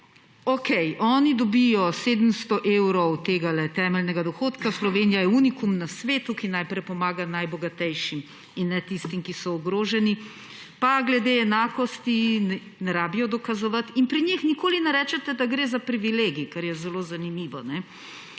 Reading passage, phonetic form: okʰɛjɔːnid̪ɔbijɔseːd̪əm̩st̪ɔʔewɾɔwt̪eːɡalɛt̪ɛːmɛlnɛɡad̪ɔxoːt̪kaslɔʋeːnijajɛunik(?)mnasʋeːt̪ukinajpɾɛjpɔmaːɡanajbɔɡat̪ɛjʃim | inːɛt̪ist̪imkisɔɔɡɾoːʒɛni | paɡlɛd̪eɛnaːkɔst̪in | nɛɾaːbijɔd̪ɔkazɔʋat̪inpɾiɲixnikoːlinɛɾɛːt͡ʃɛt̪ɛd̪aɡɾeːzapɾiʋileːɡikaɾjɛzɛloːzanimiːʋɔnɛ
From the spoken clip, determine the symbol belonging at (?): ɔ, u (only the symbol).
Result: u